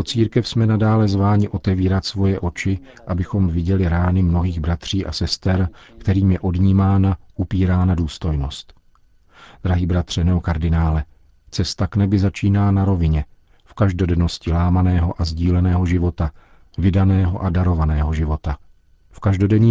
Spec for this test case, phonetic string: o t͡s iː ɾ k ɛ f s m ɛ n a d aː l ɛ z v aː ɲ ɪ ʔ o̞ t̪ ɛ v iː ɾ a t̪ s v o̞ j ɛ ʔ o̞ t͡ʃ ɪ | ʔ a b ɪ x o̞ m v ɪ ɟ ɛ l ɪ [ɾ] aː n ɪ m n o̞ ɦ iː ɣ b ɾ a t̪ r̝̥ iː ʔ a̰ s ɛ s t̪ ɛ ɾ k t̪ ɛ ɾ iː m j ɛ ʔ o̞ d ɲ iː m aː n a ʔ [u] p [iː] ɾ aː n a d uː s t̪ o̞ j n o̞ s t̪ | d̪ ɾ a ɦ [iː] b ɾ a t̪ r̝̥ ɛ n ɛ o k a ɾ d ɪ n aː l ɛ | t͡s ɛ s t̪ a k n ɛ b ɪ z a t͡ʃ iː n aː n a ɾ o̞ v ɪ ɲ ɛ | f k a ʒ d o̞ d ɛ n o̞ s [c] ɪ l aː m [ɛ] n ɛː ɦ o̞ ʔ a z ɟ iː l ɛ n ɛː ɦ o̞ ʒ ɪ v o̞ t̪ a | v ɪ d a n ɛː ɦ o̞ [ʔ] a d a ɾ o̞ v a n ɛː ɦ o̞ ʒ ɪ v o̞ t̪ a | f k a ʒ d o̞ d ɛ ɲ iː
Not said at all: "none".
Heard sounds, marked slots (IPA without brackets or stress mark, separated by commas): ɾ, u, iː, iː, c, a, ʔ